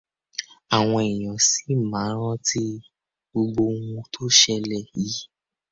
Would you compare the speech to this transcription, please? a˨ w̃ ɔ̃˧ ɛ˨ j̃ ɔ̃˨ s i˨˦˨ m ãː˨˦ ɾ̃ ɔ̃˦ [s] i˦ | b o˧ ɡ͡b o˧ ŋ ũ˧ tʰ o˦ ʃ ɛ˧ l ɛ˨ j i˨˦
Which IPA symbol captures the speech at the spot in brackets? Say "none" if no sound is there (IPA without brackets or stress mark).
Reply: t